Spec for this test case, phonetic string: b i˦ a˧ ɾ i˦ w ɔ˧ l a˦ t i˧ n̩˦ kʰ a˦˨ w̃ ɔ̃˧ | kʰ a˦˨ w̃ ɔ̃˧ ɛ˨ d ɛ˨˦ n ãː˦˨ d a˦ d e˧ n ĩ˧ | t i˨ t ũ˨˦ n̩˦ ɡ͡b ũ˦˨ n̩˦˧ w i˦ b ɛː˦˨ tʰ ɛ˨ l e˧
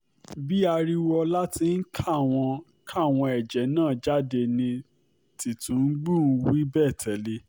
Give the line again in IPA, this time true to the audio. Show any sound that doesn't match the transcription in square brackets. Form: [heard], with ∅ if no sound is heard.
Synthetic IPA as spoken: b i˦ a˧ ɾ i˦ w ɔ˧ l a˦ t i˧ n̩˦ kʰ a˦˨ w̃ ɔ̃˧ | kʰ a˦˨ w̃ ɔ̃˧ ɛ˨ [d͡ʒ] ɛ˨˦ n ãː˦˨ [d͡ʒ] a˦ d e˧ n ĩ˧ | t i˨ t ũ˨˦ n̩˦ ɡ͡b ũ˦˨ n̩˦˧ w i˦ b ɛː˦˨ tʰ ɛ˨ l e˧